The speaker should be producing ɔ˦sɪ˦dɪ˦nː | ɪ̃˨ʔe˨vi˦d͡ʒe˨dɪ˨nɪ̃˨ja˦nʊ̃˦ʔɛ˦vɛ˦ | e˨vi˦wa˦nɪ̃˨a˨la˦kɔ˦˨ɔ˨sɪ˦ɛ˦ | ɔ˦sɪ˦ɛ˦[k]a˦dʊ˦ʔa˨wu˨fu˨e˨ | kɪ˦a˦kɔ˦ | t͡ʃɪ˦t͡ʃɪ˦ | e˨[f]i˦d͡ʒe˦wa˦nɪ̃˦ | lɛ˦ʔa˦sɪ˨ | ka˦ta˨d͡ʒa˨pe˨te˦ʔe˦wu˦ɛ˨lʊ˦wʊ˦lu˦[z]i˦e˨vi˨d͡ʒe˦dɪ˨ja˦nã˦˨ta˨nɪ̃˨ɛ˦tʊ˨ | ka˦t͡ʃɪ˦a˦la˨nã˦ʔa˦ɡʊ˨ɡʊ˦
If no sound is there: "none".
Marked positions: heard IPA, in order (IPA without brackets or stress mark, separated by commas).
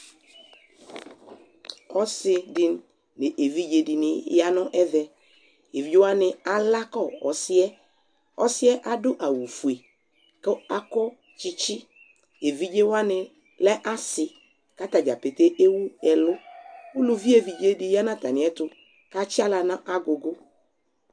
ʔ, v, v